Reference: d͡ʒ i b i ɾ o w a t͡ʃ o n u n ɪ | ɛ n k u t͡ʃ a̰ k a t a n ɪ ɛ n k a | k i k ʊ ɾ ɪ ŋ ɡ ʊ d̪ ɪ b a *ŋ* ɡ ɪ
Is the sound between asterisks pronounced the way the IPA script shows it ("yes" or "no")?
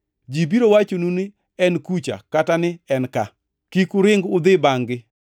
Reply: yes